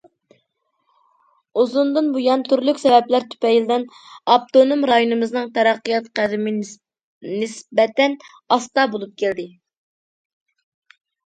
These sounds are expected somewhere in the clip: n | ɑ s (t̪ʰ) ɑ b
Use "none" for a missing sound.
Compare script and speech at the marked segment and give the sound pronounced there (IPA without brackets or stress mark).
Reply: t̪